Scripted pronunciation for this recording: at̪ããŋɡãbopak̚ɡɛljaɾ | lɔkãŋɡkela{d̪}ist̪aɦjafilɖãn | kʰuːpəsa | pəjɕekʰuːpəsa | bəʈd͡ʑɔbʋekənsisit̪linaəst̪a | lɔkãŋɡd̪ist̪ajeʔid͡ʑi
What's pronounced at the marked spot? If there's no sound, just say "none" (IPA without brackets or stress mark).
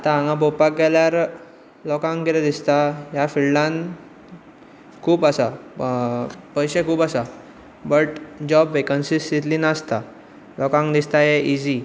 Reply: d̪